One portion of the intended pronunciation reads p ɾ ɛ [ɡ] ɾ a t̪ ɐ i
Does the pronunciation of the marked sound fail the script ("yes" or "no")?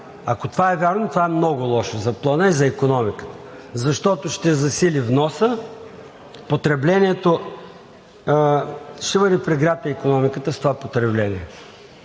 no